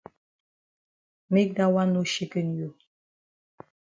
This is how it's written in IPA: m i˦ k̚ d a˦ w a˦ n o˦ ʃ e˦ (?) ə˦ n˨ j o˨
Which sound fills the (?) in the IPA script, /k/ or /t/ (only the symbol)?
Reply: k